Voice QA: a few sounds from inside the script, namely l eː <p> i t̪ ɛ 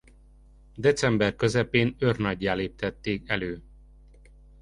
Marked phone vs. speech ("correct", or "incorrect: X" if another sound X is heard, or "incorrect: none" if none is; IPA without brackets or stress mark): correct